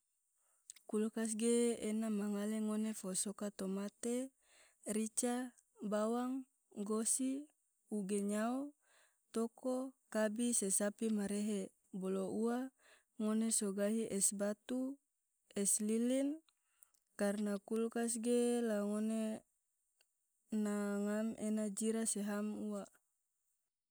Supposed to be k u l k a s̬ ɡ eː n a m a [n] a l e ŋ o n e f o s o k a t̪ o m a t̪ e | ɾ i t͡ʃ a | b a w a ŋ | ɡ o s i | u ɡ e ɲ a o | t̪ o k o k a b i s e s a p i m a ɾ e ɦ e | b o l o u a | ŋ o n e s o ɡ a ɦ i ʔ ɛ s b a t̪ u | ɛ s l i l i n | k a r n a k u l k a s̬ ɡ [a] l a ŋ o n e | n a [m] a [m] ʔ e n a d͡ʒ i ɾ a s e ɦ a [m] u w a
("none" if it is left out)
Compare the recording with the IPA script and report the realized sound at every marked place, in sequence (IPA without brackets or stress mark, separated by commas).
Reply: ŋ, e, ŋ, m, m